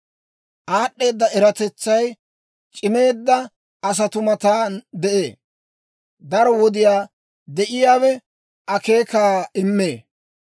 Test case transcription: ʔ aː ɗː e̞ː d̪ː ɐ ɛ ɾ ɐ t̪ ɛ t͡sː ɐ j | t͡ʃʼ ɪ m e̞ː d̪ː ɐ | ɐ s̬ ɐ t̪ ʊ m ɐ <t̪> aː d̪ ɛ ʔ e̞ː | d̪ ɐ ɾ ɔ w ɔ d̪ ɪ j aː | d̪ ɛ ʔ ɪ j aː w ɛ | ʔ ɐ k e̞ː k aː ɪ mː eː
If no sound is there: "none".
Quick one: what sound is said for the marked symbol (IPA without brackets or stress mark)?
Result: t̪